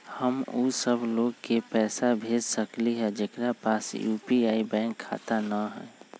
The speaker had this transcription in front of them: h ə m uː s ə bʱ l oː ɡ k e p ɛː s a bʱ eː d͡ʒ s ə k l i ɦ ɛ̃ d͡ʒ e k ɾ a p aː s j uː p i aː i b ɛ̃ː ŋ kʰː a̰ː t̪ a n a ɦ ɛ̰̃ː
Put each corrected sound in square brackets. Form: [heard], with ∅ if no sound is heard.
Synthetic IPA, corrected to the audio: h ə m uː s ə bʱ l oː ɡ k e p ɛː s a bʱ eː d͡ʒ s ə k l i ɦ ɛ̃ d͡ʒ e k ɾ a p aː s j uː p i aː i b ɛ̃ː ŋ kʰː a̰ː t̪ a n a ɦ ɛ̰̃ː